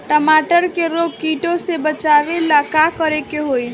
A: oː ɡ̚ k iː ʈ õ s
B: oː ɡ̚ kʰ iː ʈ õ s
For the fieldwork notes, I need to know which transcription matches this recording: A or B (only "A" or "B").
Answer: A